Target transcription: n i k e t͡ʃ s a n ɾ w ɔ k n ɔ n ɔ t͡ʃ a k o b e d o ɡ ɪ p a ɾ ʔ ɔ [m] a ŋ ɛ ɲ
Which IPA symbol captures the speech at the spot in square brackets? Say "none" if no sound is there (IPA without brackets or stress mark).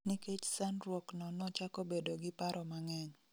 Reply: m